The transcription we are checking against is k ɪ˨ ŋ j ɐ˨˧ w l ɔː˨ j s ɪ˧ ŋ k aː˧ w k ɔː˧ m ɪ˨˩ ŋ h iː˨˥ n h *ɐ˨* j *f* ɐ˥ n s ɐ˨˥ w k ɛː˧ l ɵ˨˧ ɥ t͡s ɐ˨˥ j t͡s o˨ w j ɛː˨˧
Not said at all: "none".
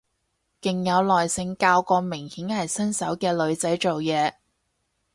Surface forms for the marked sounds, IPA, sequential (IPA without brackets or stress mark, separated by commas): ɐ˨, s